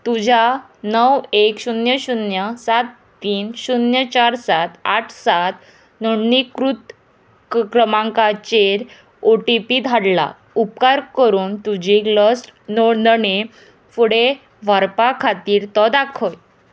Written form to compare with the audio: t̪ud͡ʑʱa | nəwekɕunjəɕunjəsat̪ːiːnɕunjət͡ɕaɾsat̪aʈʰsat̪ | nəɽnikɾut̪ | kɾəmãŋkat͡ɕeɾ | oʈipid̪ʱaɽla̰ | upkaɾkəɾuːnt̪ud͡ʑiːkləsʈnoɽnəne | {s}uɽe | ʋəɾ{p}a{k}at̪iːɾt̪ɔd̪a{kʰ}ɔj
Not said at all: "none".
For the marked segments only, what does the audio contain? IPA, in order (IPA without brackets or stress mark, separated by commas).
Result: f, p, kʰ, kʰ